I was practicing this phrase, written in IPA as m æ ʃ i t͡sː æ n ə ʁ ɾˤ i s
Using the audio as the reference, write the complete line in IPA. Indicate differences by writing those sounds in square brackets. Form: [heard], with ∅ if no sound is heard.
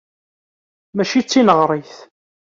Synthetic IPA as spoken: m æ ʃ i t͡sː [i] n ə ʁ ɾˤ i [θ]